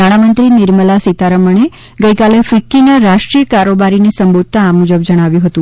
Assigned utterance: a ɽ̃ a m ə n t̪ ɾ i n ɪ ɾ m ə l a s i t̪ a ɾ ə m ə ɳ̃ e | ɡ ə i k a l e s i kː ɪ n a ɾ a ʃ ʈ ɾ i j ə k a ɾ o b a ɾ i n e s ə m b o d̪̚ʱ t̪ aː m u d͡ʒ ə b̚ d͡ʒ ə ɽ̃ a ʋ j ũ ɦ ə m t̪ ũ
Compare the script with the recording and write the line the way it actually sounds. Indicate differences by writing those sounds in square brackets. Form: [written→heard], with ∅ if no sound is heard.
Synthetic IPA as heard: a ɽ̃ a m ə n t̪ ɾ i n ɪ ɾ m ə l a s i t̪ a ɾ ə m ə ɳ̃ e | ɡ ə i k a l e [s→f] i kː [ɪ→i] n a ɾ a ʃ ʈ ɾ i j ə k a ɾ o b a ɾ i n e s ə m b o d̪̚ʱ t̪ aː m u d͡ʒ ə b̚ d͡ʒ ə ɽ̃ a ʋ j ũ ɦ ə [m→∅] t̪ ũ